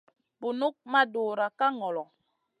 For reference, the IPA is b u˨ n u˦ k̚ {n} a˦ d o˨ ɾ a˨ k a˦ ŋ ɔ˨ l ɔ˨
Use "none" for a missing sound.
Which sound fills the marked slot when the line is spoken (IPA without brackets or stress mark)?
m